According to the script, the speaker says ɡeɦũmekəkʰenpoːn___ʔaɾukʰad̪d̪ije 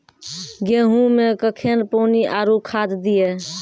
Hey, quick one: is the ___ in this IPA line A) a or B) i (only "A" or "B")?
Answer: B